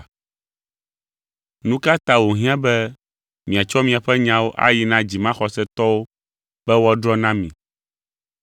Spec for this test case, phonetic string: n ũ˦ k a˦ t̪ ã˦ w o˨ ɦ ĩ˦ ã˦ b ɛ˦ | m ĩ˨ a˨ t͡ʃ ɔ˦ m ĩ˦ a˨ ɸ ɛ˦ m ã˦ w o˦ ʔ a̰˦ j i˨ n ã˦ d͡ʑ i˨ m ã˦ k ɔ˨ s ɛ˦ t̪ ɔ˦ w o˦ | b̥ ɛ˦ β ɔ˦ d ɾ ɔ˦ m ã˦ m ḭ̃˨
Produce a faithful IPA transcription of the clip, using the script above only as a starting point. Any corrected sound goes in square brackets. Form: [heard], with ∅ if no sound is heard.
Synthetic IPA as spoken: n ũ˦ k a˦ t̪ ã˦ w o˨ ɦ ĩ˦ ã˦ b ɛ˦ | m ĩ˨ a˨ t͡ʃ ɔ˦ m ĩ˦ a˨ ɸ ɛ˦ [ɲ] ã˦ w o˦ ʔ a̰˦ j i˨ n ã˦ d͡ʑ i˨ m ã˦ [x] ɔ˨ s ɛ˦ t̪ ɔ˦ w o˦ | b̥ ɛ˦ [w] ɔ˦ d ɾ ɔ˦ [n] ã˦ m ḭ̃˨

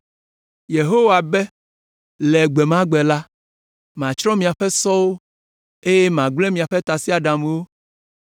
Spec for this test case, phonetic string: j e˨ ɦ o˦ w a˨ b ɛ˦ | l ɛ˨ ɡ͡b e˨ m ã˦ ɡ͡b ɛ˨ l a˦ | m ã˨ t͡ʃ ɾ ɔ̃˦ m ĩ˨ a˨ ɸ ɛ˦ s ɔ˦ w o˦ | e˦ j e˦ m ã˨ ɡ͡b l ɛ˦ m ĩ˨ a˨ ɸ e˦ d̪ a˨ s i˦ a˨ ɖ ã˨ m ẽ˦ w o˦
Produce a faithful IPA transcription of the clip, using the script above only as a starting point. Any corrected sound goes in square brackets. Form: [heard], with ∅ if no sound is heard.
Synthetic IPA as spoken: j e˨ ɦ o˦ w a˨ b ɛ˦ | l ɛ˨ ɡ͡b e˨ m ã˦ ɡ͡b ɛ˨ l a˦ | m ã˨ t͡ʃ ɾ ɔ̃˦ m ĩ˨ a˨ ɸ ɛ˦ s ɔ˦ w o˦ | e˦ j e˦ m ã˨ ɡ͡b l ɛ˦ m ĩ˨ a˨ ɸ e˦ [t̪] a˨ s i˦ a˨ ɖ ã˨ m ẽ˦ w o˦

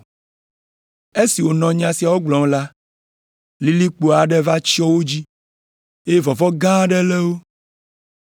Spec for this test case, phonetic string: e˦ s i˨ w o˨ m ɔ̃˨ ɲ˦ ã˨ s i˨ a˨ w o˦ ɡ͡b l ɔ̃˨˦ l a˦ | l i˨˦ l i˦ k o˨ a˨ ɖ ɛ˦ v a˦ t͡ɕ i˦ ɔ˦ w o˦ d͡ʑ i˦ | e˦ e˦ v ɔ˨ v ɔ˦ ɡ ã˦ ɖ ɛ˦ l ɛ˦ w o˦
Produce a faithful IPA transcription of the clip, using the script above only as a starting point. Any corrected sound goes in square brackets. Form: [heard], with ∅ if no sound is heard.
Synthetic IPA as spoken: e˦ s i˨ w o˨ [n] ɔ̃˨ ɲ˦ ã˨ s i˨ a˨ w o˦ ɡ͡b l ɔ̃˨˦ l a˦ | l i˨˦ l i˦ [k͡p] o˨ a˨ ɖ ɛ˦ v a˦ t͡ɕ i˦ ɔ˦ w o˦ d͡ʑ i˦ | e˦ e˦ v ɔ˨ v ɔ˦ ɡ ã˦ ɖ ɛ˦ l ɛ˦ w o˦

